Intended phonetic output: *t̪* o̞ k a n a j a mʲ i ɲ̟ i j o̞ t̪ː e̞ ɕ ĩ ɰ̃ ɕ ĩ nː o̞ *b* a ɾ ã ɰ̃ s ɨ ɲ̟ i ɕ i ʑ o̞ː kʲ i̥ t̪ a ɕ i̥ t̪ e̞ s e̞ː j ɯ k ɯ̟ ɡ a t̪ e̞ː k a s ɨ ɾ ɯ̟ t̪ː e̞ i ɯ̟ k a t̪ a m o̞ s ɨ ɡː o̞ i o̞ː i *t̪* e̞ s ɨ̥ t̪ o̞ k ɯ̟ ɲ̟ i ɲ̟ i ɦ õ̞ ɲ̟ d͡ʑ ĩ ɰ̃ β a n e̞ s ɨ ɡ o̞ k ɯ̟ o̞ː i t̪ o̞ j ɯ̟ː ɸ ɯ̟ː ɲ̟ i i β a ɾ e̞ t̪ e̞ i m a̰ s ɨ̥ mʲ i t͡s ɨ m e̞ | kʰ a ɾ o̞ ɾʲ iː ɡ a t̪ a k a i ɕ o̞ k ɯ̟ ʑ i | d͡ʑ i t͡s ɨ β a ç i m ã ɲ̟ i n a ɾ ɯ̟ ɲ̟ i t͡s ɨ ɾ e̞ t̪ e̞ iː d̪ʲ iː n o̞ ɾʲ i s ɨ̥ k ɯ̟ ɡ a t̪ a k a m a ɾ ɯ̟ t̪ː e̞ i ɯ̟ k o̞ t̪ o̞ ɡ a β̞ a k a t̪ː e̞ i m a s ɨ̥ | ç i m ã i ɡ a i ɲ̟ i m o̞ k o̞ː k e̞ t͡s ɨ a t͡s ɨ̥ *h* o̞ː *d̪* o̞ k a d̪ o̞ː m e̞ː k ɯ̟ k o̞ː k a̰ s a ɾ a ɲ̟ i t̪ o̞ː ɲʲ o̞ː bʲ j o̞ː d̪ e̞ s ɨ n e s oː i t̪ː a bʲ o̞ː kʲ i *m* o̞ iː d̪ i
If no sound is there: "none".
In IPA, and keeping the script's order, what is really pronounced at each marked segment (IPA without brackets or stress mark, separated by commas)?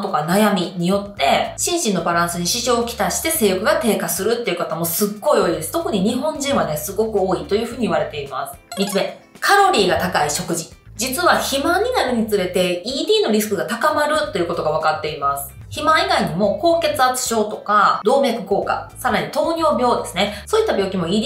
t̪, b, d̪, ɕ, t̪, m